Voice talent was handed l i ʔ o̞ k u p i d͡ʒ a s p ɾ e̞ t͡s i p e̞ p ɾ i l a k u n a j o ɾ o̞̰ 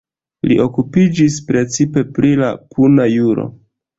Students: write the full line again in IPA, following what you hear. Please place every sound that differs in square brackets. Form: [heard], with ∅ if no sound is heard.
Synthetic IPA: l i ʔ o̞ k u p i d͡ʒ [i] s p ɾ e̞ t͡s i p e̞ p ɾ i l a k u n a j [u] ɾ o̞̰